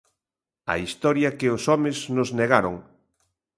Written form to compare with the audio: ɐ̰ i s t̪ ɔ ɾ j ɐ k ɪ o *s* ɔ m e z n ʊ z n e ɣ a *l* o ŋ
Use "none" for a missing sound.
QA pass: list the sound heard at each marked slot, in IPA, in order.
s, ɾ

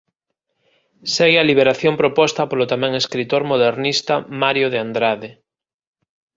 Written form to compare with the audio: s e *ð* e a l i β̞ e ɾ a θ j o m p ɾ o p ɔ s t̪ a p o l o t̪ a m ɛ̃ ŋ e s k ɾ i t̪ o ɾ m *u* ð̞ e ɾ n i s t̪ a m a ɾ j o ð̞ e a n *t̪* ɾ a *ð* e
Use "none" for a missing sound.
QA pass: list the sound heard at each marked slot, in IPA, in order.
ɣ, o, d̪, ð

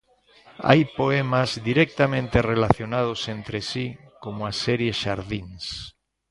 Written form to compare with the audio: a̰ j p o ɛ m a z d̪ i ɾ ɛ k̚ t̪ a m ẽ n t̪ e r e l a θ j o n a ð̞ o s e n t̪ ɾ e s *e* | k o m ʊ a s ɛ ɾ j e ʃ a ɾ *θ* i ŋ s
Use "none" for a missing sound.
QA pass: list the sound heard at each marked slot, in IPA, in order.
i, ð

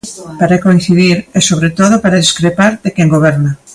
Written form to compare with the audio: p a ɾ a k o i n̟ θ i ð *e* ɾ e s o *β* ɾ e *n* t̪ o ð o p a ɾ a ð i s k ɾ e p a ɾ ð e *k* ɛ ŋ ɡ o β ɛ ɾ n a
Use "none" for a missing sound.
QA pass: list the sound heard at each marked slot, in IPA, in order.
i, β, none, k

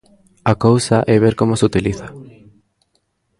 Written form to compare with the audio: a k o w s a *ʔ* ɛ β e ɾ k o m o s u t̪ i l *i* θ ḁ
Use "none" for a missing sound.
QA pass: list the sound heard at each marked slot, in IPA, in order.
ʔ, i

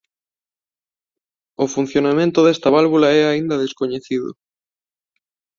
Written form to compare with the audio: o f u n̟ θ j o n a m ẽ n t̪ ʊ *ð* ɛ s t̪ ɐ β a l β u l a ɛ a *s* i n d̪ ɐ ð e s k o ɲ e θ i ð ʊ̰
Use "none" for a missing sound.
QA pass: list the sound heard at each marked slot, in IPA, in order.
ð, none

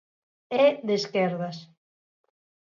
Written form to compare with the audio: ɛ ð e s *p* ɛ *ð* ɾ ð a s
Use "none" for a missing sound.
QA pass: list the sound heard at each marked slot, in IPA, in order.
k, none

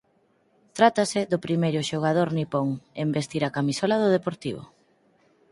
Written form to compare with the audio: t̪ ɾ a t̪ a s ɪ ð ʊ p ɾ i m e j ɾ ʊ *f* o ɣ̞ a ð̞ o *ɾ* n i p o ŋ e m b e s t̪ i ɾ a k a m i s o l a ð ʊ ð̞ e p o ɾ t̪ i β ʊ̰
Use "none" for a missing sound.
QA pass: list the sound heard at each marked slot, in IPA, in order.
ʃ, ɾ

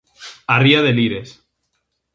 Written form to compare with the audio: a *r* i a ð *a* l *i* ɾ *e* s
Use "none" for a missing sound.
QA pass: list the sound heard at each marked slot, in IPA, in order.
r, e, i, e

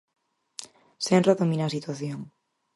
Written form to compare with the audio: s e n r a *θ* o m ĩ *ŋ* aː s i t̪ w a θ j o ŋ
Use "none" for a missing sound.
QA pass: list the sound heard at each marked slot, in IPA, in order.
ð, n

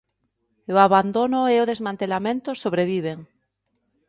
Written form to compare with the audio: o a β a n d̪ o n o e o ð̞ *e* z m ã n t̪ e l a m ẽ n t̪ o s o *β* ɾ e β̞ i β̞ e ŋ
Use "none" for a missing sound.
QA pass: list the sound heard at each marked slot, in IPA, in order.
e, β

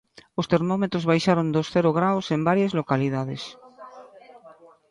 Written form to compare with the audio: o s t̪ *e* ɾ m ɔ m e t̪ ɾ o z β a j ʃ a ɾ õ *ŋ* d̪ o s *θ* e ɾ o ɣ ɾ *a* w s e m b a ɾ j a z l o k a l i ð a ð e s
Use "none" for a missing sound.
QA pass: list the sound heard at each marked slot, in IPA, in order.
e, n, θ, a

